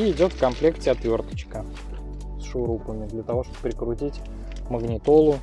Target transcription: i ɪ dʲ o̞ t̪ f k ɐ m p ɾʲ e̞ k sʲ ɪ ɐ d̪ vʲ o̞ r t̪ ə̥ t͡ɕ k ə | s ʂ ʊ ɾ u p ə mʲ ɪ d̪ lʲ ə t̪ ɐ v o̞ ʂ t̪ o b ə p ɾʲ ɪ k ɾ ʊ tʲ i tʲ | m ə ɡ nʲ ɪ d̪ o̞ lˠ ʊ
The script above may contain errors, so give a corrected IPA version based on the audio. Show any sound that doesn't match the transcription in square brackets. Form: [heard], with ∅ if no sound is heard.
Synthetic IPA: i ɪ dʲ o̞ t̪ f k ɐ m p [lʲ] e̞ k [tʲ] ɪ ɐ [t̪] vʲ o̞ r t̪ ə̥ t͡ɕ k ə | s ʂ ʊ ɾ u p ə mʲ ɪ d̪ lʲ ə t̪ ɐ v o̞ ʂ t̪ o b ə p ɾʲ ɪ k ɾ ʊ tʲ i tʲ | m ə ɡ nʲ ɪ [t̪] o̞ lˠ ʊ